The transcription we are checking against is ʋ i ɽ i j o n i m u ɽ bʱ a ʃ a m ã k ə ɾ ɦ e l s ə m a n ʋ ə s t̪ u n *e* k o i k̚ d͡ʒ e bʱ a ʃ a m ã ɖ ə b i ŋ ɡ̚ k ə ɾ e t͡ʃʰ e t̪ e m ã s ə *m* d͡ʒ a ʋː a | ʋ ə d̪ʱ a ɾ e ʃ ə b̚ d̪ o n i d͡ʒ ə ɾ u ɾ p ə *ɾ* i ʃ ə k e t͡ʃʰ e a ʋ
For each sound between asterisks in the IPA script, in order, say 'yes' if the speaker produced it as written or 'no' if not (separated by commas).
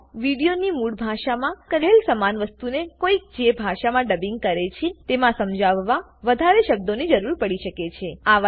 yes, yes, no